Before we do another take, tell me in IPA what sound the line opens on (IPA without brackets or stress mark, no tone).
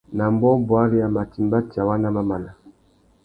n